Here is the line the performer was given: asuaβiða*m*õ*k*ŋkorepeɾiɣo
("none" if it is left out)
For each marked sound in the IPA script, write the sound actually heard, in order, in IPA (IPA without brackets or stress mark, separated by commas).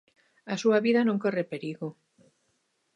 n, none